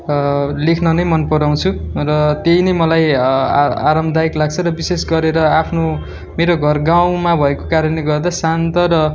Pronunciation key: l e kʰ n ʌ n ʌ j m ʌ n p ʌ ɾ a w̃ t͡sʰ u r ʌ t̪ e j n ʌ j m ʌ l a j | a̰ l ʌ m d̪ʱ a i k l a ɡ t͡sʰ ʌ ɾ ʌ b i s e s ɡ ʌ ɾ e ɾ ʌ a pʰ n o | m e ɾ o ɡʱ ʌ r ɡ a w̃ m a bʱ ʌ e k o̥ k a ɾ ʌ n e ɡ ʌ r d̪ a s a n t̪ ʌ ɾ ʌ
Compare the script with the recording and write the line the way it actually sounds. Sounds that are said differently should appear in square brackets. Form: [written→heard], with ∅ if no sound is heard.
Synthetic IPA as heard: l e kʰ n ʌ n ʌ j m ʌ n p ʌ ɾ a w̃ t͡sʰ u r ʌ t̪ e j n ʌ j m ʌ l a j | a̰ [l→ɾ] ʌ m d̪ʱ a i k l a ɡ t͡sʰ ʌ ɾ ʌ b i s e s ɡ ʌ ɾ e ɾ ʌ a pʰ n o | m e ɾ o ɡʱ ʌ r ɡ a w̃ m a bʱ ʌ e k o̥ k a ɾ ʌ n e ɡ ʌ r d̪ a s a n t̪ ʌ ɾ ʌ